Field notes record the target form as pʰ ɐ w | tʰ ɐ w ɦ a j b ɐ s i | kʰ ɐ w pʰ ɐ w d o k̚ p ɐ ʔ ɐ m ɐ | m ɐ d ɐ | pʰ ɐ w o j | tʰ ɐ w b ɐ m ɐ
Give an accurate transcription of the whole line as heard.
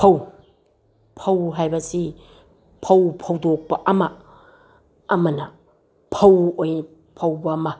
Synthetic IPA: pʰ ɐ w | pʰ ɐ w ɦ a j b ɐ s i | pʰ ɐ w pʰ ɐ w d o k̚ p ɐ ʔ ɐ m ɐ | m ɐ n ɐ | pʰ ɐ w o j | pʰ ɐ w b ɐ m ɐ